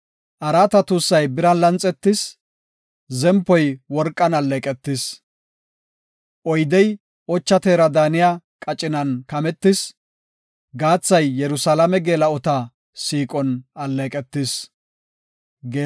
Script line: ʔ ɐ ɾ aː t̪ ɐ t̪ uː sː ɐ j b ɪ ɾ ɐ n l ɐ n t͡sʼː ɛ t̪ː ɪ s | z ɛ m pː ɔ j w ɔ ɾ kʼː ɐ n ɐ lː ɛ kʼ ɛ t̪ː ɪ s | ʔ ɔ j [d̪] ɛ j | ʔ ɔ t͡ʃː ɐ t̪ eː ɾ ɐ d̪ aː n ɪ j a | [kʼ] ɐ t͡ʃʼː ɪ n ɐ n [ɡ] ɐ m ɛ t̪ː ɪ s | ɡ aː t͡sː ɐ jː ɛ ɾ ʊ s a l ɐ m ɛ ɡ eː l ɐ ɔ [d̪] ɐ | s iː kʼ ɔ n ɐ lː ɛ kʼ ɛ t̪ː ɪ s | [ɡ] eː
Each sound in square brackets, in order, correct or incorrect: correct, correct, incorrect, incorrect, correct

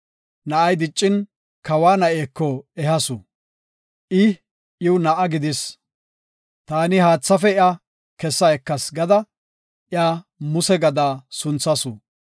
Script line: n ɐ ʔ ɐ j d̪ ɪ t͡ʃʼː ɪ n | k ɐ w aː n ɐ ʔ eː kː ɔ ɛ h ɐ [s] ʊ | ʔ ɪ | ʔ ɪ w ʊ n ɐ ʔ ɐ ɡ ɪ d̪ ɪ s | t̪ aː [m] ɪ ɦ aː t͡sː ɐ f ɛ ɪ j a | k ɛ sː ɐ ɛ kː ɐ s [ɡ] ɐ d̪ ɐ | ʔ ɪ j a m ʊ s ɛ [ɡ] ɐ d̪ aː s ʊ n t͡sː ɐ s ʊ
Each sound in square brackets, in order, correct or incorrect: correct, incorrect, correct, correct

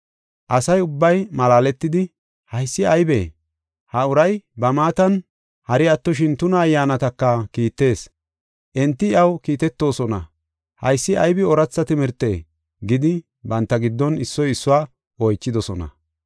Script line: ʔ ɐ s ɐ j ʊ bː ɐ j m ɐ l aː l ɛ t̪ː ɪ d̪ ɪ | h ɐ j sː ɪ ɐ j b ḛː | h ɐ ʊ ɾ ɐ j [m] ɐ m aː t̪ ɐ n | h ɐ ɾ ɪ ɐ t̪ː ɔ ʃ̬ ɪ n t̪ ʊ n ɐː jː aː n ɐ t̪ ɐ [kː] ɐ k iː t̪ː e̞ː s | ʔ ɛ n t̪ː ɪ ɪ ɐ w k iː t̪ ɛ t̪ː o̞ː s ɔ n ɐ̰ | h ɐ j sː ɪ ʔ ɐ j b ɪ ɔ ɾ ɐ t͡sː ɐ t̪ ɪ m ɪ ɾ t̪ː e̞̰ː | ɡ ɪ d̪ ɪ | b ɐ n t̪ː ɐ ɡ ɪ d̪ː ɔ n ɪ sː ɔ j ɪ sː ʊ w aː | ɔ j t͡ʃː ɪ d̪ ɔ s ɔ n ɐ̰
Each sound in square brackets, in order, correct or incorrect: incorrect, correct

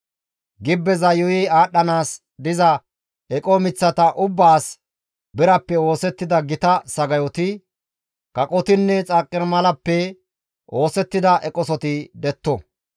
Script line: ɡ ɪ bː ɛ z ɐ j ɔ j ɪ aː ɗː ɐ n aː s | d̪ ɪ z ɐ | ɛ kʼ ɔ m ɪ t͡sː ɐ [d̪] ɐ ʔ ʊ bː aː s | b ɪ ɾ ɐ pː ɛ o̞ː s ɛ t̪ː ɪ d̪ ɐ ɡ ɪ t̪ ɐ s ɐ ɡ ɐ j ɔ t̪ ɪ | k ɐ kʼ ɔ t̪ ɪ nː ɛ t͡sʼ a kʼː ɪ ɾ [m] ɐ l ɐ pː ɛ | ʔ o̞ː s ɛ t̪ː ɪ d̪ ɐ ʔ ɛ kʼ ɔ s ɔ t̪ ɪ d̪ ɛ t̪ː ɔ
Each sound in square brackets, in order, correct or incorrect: incorrect, correct

